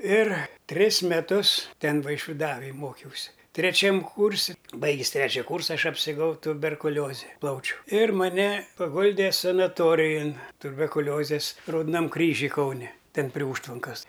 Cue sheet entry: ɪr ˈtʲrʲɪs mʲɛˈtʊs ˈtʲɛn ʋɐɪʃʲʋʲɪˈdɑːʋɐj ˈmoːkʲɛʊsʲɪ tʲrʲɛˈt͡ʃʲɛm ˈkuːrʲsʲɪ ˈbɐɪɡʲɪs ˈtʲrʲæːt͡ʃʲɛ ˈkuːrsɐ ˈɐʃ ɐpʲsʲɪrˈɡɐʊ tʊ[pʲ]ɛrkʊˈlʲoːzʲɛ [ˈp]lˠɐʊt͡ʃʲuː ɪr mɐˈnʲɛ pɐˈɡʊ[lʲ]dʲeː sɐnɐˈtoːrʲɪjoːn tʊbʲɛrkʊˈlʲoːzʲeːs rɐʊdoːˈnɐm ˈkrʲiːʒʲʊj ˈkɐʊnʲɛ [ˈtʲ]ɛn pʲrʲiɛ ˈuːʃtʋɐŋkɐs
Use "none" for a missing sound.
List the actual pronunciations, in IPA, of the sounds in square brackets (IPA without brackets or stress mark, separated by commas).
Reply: bʲ, p, lʲ, tʲ